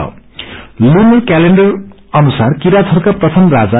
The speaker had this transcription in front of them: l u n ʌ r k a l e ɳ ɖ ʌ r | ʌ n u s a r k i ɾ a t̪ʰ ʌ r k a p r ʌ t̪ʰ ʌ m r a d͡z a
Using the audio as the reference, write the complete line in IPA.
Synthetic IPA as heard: l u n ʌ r k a l e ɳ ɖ ʌ r | ʌ n u s a r k i ɾ a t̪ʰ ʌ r k a p r ʌ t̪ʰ ʌ m r a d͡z a